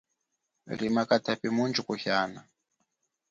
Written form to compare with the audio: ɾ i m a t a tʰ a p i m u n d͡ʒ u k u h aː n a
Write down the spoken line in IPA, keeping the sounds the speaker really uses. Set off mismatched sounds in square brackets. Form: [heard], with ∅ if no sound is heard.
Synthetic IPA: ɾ i m a [k] a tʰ a p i m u n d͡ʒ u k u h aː n a